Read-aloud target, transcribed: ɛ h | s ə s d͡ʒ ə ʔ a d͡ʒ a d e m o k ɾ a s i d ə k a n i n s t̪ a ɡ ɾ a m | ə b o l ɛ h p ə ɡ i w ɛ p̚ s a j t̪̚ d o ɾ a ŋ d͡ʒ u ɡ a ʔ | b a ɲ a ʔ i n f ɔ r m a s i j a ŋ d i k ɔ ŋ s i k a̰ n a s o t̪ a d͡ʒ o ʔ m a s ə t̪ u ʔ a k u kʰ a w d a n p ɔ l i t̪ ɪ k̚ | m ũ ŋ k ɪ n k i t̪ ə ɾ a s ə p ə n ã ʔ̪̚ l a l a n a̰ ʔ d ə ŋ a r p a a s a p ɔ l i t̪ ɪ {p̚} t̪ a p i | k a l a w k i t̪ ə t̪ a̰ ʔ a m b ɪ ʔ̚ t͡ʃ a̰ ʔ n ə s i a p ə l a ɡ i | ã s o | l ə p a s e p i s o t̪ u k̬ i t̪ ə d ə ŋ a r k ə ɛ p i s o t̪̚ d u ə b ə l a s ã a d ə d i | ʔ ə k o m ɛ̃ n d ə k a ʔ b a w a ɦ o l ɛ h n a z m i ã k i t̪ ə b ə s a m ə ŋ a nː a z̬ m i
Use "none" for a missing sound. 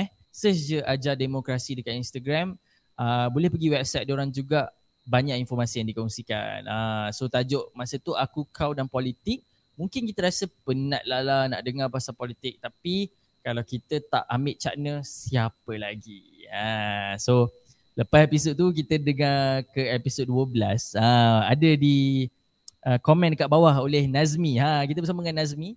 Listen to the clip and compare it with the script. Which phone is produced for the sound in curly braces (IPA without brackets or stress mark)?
k̚